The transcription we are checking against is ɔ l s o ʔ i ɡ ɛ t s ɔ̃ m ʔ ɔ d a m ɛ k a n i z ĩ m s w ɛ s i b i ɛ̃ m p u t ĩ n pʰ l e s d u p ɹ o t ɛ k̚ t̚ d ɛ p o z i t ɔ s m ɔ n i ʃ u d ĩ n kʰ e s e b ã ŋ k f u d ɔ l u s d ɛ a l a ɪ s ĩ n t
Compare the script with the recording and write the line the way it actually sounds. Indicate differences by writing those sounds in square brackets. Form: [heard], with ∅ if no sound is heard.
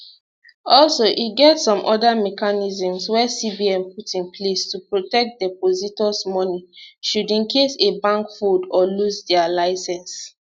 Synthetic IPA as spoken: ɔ l s o ʔ i ɡ ɛ t s ɔ̃ m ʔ ɔ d a m ɛ k a n i z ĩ m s w ɛ s i b i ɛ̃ m p u t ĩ n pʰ l e s [t] u p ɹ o t ɛ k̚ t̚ d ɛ p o z i t ɔ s m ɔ n i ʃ u d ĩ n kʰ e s e b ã ŋ k f u d ɔ l u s d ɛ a l a ɪ s [ɛ̃] n [s]